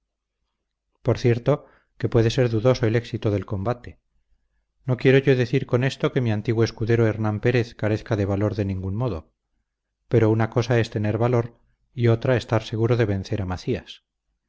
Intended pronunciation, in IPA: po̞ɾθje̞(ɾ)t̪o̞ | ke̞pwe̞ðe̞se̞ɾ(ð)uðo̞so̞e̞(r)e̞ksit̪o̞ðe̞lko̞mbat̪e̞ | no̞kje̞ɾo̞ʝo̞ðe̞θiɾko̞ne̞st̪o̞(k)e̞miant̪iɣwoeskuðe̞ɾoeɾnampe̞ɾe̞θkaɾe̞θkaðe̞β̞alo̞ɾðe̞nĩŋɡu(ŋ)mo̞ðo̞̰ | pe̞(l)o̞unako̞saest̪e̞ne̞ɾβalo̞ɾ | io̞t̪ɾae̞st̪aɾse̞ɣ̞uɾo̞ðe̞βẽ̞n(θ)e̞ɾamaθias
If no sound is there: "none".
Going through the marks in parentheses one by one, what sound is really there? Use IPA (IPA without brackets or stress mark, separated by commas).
ɾ, ð, l, k, n, ɾ, θ